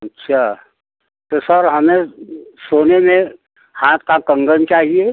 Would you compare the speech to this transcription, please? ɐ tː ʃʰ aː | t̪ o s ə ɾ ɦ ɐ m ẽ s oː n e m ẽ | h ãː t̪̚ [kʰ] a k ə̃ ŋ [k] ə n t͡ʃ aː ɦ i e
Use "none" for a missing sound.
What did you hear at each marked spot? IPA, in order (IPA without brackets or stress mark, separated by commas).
k, ɡ